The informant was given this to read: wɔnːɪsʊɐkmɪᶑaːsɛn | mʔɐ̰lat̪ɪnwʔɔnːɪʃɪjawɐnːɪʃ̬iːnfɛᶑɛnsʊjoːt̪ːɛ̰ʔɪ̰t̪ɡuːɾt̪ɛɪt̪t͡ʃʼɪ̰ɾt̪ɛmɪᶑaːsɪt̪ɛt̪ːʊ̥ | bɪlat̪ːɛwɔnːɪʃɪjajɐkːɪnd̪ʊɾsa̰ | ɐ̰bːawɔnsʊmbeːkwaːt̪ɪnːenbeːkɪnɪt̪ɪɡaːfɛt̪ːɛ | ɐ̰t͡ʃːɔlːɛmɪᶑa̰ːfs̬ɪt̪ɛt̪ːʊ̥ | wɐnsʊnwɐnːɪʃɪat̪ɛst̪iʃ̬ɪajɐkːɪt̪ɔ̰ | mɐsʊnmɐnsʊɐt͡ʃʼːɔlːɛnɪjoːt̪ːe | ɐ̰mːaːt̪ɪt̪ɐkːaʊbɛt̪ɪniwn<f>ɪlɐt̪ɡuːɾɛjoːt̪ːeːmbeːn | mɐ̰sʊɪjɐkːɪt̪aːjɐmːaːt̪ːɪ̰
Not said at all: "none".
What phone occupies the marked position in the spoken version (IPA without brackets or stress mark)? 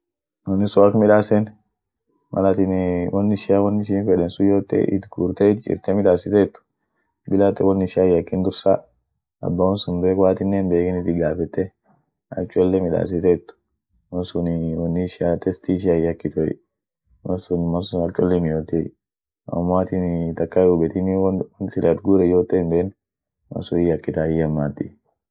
s